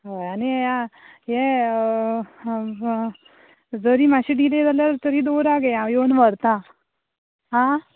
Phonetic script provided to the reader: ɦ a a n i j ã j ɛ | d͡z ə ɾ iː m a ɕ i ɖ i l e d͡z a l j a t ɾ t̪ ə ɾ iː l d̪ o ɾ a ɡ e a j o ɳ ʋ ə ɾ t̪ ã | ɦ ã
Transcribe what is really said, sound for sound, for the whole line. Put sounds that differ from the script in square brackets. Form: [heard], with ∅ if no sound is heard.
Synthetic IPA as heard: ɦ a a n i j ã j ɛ | d͡z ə ɾ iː m a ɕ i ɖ i l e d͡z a l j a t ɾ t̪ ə ɾ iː [∅] d̪ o ɾ a ɡ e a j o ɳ ʋ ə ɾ t̪ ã | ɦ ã